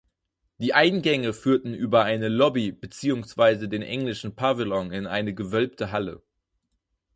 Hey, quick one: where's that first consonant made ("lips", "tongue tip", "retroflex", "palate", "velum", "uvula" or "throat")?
tongue tip